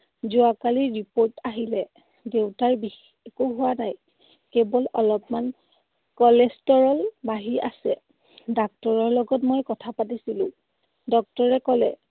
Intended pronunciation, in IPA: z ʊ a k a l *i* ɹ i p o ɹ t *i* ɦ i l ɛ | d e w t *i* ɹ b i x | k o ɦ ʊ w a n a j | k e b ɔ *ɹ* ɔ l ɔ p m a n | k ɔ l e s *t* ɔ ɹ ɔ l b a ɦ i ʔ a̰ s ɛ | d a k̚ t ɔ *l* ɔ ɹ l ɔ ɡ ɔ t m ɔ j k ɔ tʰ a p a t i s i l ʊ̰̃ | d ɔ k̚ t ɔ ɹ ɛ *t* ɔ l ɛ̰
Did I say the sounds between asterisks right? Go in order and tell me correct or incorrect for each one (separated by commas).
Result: correct, incorrect, incorrect, incorrect, correct, incorrect, incorrect